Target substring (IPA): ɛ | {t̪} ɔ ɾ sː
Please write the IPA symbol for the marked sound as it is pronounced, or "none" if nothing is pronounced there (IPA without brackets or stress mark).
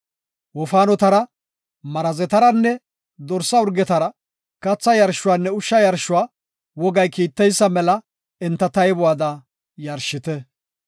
d̪